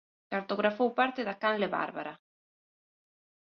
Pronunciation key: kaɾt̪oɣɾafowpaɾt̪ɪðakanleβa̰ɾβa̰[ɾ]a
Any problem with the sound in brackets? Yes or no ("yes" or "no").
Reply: no